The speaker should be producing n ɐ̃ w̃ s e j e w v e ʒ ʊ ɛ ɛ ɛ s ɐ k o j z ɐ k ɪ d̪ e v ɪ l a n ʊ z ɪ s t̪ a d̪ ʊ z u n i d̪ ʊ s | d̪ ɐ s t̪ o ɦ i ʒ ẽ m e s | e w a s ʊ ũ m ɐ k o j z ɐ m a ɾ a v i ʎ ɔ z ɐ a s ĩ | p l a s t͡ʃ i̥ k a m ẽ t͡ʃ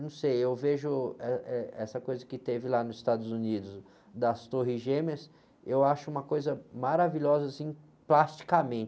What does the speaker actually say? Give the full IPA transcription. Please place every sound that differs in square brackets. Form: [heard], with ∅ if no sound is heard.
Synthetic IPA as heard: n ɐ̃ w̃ s e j e w v e ʒ ʊ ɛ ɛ ɛ s ɐ k o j z ɐ k ɪ [t̪] e v ɪ l a n ʊ z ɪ s t̪ a d̪ ʊ z u n i d̪ ʊ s | d̪ ɐ s t̪ o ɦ i ʒ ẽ m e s | e w a [ʃ] ʊ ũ m ɐ k o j z ɐ m a ɾ a v i ʎ ɔ z ɐ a s ĩ | p l a s t͡ʃ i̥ k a m ẽ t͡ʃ